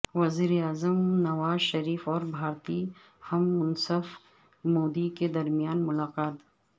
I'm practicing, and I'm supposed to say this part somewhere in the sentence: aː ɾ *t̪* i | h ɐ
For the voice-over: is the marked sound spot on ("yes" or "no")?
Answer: yes